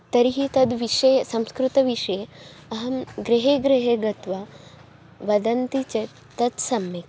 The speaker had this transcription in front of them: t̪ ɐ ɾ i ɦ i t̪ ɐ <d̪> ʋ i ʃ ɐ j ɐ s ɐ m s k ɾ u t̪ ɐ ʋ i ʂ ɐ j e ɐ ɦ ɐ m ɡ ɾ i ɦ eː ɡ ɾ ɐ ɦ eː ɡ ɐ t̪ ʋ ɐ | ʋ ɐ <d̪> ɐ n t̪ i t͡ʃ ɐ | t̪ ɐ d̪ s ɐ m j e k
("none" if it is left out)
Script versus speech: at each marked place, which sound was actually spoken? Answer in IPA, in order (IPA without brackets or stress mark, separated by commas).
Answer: d̪, d̪